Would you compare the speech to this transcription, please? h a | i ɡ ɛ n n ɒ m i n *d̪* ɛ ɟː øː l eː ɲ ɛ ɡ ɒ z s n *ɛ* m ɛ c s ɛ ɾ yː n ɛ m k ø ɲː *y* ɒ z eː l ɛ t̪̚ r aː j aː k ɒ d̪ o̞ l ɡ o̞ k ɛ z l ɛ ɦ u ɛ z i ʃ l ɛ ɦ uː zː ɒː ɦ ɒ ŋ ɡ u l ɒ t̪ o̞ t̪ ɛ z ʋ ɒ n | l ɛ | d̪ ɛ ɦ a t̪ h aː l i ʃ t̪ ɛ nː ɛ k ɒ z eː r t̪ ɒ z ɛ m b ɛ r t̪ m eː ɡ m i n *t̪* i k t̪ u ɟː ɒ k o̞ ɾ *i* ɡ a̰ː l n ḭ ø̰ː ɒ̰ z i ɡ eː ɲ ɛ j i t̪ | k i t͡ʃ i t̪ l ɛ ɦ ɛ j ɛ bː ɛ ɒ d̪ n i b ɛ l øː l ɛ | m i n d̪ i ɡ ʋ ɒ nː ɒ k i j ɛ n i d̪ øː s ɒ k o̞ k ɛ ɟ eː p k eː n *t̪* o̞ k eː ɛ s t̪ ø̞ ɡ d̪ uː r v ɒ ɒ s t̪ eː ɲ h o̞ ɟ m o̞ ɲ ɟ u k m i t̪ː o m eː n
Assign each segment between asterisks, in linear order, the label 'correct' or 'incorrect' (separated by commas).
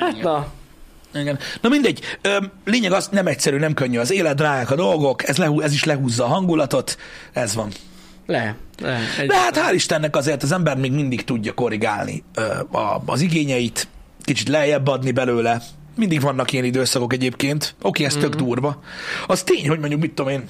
correct, correct, correct, incorrect, correct, correct